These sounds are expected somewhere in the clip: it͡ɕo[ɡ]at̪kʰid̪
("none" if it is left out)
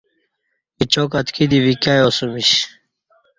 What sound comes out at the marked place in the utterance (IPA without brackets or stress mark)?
k